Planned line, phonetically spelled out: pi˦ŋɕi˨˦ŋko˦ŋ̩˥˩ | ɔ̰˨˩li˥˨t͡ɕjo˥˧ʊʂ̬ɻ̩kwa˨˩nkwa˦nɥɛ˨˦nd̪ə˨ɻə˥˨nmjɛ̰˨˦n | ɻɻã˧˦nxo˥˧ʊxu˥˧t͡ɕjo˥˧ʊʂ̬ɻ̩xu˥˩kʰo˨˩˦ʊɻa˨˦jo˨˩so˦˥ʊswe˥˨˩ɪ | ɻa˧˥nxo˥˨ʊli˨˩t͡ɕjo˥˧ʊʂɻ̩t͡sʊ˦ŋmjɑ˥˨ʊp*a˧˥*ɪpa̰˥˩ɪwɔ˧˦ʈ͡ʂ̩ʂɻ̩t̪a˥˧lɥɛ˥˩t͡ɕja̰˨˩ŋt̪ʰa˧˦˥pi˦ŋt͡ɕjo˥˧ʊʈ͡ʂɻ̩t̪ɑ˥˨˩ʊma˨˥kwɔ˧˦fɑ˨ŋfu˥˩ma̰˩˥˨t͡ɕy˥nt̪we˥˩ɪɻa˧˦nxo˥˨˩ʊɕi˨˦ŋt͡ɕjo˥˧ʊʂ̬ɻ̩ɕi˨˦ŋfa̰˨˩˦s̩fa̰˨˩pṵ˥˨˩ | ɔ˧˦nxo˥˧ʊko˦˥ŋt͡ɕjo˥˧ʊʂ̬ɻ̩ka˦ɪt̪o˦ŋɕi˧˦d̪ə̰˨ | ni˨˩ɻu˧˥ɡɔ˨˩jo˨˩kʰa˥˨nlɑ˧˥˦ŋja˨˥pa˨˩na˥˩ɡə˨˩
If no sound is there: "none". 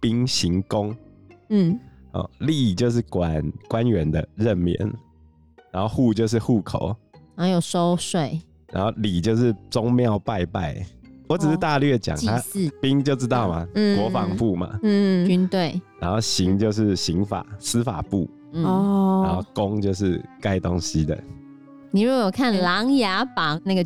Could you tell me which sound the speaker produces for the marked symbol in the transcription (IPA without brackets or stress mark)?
a˥˧